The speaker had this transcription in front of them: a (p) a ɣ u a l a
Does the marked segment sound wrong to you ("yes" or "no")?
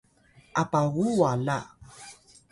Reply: no